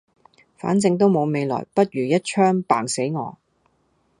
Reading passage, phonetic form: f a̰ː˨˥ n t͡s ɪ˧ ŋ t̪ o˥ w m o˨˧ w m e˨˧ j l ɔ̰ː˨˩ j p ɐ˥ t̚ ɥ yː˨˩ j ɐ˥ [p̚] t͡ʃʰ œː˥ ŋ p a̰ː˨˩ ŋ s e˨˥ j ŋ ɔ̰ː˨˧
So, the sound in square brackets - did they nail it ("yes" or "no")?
no